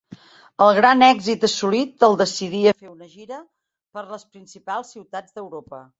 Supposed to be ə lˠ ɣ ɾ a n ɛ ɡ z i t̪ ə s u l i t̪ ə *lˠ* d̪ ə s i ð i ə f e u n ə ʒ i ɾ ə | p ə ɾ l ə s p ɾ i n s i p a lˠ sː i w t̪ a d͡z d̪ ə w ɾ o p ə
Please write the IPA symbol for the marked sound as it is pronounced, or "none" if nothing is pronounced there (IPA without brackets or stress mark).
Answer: lˠ